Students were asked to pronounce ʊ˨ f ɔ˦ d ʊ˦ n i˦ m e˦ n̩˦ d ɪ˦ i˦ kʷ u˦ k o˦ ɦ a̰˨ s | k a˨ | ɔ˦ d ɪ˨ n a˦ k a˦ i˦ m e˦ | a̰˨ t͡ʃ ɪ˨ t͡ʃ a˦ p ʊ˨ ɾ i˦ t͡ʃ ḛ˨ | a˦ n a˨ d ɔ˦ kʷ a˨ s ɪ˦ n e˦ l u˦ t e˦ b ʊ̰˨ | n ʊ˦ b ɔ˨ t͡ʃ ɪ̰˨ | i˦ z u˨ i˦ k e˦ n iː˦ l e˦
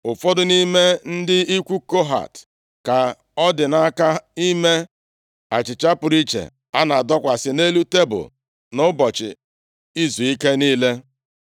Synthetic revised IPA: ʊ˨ f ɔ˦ d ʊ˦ n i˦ m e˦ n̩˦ d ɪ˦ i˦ kʷ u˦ k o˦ ɦ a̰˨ t | k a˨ | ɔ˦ d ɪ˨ n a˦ k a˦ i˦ m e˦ | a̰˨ t͡ʃ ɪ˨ t͡ʃ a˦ p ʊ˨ ɾ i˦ t͡ʃ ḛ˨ | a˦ n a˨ d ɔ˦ kʷ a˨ s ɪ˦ n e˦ l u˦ t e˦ b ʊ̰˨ | n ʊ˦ b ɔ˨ t͡ʃ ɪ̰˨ | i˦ z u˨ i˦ k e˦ n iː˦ l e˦